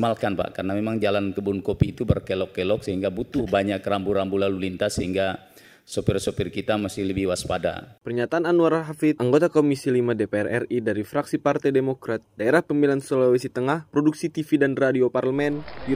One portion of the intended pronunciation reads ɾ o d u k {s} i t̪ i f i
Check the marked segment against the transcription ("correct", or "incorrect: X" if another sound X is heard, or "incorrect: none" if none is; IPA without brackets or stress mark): correct